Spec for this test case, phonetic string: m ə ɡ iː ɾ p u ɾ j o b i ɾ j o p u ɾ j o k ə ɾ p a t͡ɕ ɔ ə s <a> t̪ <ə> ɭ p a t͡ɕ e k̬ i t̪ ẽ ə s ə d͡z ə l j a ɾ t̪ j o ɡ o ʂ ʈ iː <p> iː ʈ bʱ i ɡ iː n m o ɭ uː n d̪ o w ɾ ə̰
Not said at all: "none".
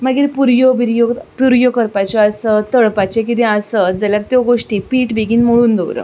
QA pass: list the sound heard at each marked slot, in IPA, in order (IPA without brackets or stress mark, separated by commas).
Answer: ə, ə, p